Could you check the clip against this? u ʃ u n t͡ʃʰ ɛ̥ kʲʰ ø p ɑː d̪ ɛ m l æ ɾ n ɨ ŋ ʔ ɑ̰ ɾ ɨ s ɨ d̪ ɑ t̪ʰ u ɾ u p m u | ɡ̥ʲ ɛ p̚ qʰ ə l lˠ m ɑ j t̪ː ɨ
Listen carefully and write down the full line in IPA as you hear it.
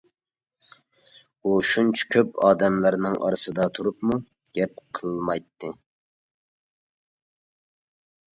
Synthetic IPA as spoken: u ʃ u n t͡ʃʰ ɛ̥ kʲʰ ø p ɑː d̪ ɛ m l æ ɾ n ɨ ŋ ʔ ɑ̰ ɾ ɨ s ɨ d̪ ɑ t̪ʰ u ɾ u p m u | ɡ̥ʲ ɛ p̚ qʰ ə l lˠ m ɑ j t̪ː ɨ